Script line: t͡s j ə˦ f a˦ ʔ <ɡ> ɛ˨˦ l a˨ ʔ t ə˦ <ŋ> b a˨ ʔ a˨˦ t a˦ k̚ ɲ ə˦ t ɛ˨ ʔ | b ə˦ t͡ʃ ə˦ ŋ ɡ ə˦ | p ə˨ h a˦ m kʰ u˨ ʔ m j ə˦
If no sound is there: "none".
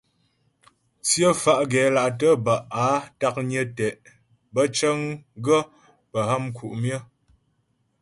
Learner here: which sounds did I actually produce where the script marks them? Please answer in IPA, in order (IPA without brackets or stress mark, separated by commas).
ɡ, none